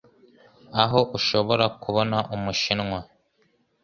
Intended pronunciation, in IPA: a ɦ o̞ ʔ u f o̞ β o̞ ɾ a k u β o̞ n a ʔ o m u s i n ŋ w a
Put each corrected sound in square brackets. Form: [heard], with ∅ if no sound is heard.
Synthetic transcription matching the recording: a ɦ o̞ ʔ u [ʃ] o̞ β o̞ ɾ a k u β o̞ n a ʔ [u] m u [ʃ] i n ŋ w a